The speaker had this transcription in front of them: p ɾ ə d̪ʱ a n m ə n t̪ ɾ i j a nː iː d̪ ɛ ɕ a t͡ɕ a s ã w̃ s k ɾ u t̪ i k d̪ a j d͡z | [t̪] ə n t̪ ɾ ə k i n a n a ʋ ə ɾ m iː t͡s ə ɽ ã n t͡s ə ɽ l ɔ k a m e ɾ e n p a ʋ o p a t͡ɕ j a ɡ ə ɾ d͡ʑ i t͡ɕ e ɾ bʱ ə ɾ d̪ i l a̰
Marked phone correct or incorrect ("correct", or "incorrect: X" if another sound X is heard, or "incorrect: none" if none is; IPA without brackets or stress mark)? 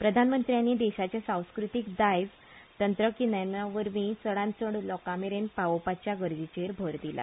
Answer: correct